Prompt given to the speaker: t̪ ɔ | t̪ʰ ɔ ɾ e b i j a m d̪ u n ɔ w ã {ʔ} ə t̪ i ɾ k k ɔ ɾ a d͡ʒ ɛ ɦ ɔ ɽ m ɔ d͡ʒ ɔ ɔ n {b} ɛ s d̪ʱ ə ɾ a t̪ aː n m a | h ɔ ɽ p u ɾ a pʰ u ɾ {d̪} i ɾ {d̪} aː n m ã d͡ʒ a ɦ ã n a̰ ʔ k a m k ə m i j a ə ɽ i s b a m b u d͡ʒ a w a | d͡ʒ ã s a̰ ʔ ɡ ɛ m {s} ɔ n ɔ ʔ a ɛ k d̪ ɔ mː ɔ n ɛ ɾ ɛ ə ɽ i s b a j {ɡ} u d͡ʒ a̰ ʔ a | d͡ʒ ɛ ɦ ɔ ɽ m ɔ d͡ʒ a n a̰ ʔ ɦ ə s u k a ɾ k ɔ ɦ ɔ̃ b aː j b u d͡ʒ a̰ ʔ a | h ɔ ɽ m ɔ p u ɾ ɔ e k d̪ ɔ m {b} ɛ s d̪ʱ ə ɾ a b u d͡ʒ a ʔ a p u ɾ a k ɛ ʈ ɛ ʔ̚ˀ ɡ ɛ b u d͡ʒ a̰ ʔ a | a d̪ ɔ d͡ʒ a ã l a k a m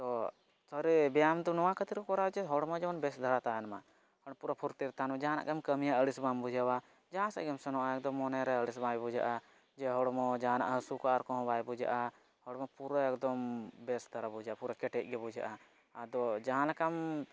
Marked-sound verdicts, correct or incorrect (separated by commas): incorrect, correct, incorrect, incorrect, correct, incorrect, correct